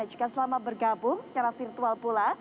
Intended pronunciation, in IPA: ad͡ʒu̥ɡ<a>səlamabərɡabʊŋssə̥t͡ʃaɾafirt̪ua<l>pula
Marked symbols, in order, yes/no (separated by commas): yes, yes